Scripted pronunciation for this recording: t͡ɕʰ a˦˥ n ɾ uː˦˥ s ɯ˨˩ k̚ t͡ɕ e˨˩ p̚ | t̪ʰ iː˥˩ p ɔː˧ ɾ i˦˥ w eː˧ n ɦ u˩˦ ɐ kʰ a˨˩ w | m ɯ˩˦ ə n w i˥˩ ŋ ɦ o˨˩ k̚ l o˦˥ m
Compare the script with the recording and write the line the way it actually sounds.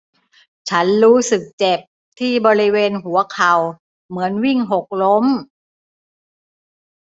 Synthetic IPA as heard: t͡ɕʰ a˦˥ n ɾ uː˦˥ s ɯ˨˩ k̚ t͡ɕ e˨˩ p̚ | t̪ʰ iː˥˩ b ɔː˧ ɾ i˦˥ w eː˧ n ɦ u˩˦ ɐ kʰ a˨˩ w | m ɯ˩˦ ə n w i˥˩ ŋ ɦ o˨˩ k̚ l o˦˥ m